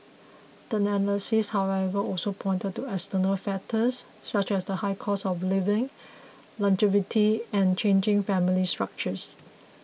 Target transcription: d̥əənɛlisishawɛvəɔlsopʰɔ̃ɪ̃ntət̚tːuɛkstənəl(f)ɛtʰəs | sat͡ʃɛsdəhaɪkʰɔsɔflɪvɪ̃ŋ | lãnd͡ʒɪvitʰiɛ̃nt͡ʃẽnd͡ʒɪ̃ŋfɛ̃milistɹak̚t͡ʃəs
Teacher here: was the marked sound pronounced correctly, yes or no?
yes